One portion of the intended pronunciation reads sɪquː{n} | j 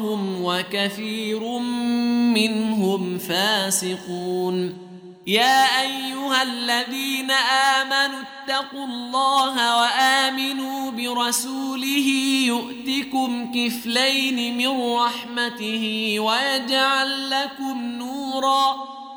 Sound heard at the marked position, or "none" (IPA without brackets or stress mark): n